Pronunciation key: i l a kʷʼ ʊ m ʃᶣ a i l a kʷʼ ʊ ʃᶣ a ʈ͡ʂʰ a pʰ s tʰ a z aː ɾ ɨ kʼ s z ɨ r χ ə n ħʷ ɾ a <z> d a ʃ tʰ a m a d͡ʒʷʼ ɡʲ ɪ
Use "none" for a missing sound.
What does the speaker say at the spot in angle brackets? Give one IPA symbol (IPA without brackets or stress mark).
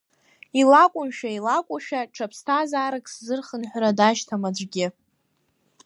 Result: none